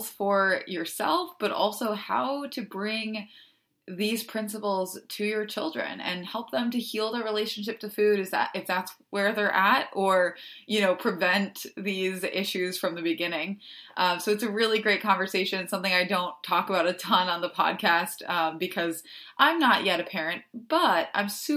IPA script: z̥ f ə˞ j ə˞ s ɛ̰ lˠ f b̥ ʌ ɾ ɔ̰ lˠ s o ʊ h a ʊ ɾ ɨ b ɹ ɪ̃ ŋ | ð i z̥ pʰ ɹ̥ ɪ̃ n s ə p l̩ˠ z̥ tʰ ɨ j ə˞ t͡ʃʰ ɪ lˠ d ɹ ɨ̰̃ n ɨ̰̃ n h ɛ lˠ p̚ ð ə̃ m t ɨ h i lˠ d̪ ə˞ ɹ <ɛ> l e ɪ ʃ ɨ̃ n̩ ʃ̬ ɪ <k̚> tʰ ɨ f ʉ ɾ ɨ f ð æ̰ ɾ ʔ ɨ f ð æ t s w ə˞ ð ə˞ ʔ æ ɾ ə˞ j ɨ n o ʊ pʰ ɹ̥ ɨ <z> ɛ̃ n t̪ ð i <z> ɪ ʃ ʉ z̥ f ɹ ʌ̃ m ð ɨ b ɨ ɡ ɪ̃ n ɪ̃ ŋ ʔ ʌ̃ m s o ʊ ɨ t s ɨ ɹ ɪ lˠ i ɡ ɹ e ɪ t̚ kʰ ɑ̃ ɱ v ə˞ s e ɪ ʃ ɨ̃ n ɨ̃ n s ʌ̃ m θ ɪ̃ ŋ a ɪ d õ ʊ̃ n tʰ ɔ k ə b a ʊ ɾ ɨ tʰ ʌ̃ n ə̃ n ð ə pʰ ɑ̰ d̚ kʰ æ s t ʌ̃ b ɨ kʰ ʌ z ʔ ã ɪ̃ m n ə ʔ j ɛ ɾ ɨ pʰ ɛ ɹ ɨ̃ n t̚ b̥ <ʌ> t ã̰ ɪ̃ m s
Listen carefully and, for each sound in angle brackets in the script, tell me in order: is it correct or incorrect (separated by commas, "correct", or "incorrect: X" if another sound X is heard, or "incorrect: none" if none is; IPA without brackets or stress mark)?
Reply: incorrect: i, incorrect: p̚, incorrect: v, correct, correct